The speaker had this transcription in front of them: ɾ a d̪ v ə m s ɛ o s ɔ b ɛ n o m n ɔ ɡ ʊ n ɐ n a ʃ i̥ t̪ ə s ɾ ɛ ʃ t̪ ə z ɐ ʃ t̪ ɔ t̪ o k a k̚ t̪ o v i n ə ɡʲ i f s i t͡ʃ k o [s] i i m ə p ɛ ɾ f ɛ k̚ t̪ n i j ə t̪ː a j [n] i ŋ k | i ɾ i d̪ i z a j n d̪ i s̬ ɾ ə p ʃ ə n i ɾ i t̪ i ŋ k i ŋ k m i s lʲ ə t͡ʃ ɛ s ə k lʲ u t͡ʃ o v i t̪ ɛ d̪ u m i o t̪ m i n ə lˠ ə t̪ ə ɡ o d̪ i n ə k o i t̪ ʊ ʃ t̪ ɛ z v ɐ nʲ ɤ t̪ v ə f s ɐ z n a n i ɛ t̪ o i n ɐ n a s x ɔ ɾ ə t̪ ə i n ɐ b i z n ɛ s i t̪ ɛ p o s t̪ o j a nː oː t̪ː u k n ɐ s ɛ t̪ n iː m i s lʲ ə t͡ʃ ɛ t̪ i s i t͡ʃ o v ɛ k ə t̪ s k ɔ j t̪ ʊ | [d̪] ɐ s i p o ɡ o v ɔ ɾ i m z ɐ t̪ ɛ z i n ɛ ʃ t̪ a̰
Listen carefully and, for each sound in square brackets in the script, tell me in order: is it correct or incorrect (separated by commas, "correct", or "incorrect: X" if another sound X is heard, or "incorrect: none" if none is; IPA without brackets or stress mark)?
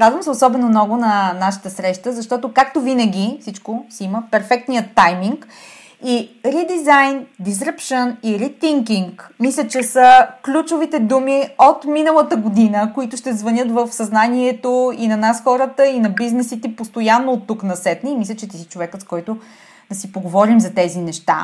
correct, incorrect: m, correct